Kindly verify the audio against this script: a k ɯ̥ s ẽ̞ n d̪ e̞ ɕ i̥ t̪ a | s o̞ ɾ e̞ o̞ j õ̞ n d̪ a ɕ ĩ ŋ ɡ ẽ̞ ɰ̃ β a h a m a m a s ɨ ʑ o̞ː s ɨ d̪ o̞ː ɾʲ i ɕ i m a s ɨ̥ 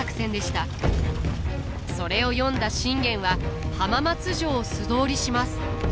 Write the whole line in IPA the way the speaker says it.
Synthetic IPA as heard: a k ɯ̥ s ẽ̞ n d̪ e̞ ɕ i̥ t̪ a | s o̞ ɾ e̞ o̞ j õ̞ n d̪ a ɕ ĩ ŋ ɡ ẽ̞ ɰ̃ β a h a m a m a t͡s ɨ ʑ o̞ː s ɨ d̪ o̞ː ɾʲ i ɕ i m a s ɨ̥